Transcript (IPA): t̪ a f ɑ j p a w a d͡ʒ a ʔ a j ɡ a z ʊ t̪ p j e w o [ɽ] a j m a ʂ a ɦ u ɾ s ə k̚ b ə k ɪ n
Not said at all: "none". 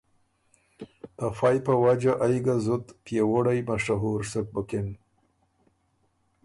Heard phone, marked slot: ɽ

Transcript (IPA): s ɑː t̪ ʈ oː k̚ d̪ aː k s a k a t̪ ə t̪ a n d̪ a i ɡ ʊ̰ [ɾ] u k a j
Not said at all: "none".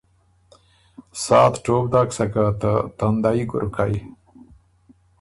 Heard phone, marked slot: ɾ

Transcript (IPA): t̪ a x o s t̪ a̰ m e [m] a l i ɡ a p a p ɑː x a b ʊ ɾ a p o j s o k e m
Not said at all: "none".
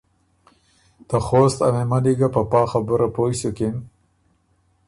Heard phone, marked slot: m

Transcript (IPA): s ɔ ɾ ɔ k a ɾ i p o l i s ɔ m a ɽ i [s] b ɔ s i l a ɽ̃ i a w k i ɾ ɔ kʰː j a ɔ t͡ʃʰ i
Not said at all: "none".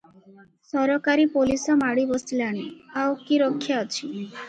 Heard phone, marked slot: none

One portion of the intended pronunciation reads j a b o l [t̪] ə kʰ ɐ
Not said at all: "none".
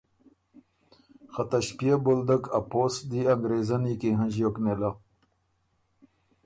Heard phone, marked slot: d̪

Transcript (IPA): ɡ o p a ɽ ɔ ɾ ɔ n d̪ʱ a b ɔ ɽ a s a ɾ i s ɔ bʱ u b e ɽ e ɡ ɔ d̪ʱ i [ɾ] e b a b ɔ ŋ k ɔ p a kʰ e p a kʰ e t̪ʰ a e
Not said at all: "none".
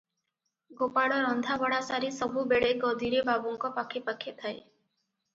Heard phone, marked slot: ɾ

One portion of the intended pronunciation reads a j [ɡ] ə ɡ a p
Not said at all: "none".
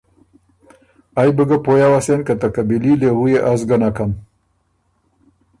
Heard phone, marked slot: b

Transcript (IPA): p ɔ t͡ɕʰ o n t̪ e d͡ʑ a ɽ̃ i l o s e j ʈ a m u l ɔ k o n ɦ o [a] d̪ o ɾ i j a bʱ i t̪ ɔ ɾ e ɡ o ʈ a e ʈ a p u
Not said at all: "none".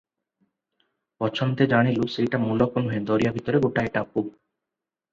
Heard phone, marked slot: e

